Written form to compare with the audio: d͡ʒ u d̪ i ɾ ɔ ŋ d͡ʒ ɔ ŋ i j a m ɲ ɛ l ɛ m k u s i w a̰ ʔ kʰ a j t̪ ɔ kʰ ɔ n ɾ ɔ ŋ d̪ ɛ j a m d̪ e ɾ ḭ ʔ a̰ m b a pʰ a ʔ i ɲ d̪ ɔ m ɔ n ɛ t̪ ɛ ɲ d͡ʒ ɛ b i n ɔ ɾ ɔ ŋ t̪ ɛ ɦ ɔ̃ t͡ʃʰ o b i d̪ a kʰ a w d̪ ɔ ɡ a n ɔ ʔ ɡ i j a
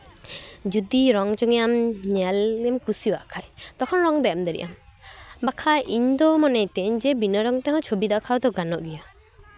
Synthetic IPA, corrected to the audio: d͡ʒ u d̪ i ɾ ɔ ŋ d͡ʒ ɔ ŋ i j a m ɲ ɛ l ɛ m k u s i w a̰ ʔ kʰ a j t̪ ɔ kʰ ɔ n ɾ ɔ ŋ d̪ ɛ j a m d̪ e ɾ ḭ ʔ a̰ m b a kʰ a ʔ i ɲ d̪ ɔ m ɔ n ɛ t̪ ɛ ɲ d͡ʒ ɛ b i n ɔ ɾ ɔ ŋ t̪ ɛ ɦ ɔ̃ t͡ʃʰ o b i d̪ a kʰ a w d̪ ɔ ɡ a n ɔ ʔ ɡ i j a